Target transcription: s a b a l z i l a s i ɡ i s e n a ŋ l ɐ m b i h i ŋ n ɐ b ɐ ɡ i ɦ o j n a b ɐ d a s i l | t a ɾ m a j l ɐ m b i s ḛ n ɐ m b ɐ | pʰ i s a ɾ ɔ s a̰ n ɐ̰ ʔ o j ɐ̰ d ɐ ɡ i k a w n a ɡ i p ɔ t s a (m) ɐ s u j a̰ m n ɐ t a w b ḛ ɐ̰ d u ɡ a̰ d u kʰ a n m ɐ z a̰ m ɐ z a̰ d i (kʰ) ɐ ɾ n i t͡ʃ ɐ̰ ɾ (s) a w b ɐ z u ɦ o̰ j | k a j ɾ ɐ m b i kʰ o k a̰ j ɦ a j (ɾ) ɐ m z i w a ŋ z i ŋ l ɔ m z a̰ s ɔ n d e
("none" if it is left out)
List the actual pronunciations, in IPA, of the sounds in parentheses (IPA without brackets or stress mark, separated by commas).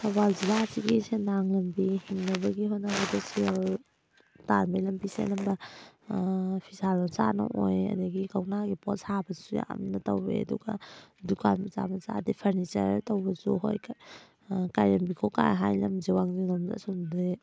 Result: b, pʰ, t, l